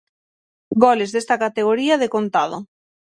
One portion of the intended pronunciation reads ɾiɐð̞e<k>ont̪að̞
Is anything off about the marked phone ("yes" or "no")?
no